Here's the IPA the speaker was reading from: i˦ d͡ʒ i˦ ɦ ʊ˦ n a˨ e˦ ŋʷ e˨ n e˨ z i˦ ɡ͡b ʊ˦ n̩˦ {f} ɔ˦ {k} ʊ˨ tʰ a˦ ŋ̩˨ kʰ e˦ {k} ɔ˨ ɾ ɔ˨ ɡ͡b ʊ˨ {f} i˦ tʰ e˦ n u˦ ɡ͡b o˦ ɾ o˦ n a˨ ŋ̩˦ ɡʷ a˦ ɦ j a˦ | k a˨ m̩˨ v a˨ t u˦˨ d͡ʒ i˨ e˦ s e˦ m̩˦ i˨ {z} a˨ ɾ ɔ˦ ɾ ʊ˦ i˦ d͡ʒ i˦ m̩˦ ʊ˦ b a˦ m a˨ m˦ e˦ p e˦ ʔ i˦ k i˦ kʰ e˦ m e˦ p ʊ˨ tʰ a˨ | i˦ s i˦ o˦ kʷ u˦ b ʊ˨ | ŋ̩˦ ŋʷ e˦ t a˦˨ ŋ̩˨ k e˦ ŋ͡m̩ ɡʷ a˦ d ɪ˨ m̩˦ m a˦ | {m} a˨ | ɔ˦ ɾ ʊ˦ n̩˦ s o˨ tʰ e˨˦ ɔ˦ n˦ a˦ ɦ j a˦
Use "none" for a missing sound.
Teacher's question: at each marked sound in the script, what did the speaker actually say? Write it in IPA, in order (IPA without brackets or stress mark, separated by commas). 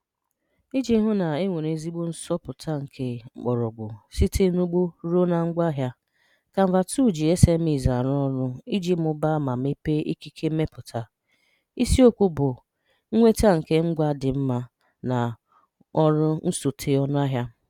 s, p, k͡p, s, z, n